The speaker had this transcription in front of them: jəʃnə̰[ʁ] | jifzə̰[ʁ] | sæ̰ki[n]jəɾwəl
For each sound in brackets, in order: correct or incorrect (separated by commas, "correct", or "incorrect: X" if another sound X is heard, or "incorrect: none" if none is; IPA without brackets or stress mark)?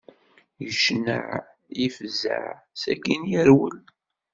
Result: incorrect: ʕ, incorrect: ʕ, correct